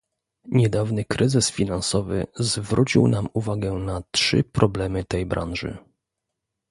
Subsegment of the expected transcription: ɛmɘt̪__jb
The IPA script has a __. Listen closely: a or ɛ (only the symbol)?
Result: ɛ